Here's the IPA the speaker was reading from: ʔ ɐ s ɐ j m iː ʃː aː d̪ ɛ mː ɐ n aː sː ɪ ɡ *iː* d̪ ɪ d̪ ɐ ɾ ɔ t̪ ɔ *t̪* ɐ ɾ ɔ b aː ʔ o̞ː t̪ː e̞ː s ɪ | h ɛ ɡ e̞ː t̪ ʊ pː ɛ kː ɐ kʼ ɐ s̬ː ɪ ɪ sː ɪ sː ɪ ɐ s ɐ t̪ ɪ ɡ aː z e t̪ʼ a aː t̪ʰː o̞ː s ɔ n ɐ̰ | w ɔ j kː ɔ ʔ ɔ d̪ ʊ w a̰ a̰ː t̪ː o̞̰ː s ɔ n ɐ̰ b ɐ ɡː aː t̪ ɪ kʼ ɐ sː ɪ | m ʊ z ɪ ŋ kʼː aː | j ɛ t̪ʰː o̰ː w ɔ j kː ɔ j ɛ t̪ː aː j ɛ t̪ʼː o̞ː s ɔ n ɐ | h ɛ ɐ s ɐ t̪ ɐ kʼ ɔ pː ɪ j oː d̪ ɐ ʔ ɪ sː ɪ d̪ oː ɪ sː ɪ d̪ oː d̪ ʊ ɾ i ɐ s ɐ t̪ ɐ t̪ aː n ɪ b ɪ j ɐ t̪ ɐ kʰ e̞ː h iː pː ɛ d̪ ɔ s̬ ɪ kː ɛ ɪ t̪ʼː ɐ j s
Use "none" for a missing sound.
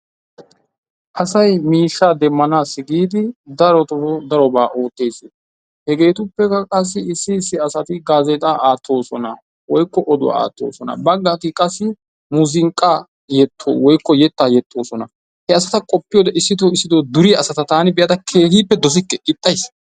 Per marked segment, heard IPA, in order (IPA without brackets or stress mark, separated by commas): iː, d̪